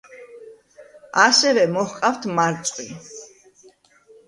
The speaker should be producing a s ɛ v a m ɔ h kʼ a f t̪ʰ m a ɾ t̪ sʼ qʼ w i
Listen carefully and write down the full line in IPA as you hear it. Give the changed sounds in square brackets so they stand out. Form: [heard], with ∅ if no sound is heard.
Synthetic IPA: a s ɛ v [ɛ] m ɔ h [qʼ] a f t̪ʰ m a ɾ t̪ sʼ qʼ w i